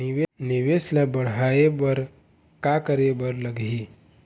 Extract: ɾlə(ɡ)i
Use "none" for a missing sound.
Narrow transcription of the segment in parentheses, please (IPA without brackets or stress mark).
ɡ